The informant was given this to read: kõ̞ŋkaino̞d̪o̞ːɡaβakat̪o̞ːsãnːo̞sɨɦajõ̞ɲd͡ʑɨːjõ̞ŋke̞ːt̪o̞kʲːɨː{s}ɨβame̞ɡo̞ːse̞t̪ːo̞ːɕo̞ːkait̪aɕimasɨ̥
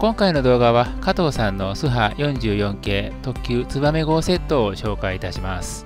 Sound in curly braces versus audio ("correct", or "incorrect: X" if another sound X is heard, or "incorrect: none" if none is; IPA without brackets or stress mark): incorrect: t͡s